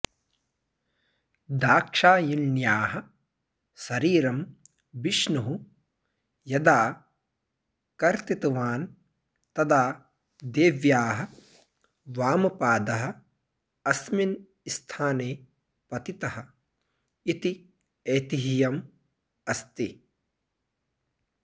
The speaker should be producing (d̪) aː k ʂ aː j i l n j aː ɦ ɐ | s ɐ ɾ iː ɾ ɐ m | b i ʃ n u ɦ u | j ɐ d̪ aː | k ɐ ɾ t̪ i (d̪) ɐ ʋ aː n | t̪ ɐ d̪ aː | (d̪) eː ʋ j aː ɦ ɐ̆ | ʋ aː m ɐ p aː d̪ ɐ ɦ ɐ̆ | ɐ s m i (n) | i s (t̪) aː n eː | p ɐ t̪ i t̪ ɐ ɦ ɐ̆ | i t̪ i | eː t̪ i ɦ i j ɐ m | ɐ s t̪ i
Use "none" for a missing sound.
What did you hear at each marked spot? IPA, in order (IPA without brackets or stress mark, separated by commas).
d̪, t̪, d̪, n, t̪ʰ